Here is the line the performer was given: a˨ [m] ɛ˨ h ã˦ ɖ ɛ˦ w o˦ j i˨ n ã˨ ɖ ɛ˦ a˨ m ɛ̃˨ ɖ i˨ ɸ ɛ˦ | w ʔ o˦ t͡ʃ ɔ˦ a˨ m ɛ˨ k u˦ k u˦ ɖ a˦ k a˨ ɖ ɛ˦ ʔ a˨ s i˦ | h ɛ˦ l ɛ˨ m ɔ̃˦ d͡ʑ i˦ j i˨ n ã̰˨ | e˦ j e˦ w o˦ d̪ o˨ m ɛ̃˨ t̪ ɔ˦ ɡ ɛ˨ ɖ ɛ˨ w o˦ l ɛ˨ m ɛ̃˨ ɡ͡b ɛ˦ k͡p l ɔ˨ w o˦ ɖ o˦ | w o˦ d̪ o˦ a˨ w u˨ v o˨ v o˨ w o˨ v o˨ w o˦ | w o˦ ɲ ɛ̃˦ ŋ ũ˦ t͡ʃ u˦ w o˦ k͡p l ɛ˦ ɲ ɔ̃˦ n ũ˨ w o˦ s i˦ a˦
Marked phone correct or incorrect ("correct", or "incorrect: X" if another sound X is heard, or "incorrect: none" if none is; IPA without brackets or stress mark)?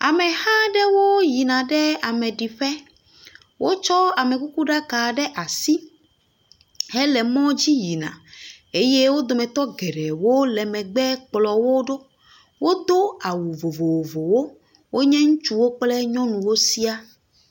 correct